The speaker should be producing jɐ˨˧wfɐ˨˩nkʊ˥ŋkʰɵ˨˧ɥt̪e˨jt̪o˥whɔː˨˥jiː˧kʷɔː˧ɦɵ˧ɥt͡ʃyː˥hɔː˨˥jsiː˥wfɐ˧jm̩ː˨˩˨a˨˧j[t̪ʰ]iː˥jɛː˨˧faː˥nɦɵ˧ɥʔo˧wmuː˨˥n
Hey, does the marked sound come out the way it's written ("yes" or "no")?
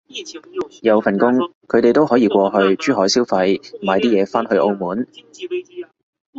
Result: no